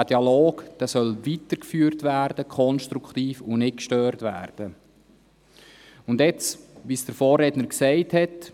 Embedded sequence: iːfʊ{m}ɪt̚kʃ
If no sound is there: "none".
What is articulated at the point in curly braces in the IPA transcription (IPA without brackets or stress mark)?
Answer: n